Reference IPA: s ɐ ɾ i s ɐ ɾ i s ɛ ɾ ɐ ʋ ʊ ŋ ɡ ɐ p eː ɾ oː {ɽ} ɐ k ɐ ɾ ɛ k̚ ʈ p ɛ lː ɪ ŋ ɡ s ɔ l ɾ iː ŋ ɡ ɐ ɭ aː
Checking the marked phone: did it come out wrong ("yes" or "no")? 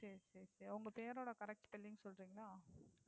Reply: no